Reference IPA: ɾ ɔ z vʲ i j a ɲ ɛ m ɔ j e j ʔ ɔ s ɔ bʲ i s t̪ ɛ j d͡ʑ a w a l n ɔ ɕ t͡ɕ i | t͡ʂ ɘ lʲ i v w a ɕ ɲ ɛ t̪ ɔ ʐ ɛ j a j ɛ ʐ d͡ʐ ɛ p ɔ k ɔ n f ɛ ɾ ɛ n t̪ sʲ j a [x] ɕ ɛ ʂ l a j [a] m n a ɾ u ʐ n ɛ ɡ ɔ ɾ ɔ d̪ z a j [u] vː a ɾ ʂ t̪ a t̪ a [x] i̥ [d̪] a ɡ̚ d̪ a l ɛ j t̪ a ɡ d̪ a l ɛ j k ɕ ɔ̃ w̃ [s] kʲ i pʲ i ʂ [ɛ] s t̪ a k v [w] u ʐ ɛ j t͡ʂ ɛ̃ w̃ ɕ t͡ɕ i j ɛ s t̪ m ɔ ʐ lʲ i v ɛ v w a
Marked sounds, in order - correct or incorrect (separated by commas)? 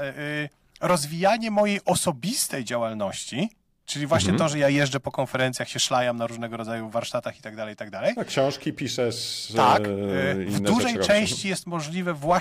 correct, correct, correct, correct, incorrect, incorrect, correct, incorrect